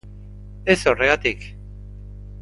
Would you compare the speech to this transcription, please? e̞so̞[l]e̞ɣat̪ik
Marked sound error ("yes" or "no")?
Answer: yes